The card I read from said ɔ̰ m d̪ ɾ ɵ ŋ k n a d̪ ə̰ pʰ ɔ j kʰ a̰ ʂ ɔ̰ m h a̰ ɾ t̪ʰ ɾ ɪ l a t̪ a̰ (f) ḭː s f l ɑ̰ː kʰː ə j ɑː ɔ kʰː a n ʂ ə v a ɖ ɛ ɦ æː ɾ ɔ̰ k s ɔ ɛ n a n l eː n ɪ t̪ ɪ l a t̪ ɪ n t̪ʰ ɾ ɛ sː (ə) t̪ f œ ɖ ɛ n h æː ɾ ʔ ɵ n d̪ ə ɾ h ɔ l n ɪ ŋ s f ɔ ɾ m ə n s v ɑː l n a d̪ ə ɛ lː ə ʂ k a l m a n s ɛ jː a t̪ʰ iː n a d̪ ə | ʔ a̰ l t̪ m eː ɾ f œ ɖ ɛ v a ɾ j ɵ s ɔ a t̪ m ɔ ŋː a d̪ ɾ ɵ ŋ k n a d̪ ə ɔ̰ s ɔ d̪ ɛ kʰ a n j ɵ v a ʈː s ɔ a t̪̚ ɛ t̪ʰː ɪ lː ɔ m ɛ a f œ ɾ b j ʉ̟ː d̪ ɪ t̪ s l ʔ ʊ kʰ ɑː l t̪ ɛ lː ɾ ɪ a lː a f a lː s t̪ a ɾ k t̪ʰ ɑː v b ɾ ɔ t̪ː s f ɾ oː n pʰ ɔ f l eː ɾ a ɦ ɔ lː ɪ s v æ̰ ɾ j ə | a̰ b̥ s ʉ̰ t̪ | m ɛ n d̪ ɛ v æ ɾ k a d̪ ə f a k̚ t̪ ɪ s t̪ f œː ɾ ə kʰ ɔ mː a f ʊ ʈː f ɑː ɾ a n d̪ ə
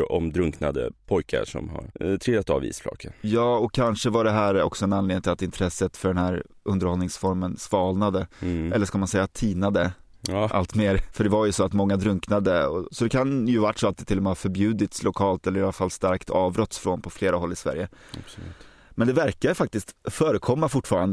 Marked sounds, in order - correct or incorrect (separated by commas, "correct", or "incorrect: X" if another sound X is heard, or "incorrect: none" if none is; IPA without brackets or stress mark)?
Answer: incorrect: v, correct